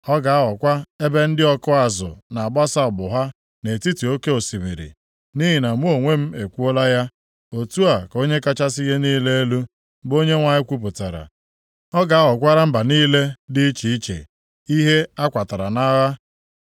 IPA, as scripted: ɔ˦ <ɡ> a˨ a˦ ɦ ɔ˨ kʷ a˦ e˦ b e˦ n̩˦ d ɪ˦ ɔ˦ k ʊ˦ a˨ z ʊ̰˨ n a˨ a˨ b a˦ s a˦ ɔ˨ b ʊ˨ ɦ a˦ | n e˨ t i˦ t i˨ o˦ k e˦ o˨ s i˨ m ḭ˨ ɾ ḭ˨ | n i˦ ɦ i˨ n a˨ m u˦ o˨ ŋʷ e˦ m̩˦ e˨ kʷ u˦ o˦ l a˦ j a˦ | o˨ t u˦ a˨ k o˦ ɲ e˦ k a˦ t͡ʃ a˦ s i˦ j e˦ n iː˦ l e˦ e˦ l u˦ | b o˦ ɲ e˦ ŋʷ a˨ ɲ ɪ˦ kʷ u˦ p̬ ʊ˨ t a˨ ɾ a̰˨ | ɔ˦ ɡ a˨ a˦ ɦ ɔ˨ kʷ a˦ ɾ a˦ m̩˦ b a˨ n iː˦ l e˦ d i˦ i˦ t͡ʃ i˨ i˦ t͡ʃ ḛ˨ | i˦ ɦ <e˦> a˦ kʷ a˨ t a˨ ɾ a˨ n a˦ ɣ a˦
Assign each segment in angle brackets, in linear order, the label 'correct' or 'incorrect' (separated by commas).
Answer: correct, correct